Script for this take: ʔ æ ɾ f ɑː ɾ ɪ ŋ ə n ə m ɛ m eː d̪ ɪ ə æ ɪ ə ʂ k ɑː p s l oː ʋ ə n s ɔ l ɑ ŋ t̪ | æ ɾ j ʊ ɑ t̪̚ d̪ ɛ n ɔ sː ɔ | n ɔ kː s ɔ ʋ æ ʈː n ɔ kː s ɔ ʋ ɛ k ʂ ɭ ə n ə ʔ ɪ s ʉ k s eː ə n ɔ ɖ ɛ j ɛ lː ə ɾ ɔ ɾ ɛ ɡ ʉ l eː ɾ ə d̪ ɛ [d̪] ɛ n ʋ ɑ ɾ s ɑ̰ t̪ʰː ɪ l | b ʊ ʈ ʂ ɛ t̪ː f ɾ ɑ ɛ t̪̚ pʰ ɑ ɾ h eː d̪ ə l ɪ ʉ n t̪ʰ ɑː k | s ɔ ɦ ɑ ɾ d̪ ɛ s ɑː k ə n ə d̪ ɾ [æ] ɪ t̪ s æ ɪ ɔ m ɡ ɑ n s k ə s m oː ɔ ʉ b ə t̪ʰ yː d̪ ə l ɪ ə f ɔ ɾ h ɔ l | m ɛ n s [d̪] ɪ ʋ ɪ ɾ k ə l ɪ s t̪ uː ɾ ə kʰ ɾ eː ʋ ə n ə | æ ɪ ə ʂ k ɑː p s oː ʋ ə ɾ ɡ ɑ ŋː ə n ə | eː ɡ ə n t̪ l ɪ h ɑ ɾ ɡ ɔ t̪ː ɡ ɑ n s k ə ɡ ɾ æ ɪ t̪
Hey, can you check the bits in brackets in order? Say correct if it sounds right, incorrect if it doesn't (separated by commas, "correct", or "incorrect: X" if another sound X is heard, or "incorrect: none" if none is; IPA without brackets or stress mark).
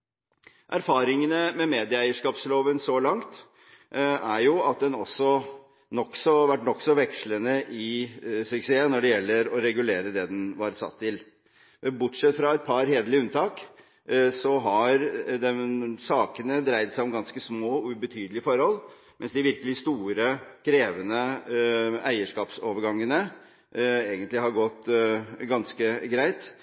correct, correct, correct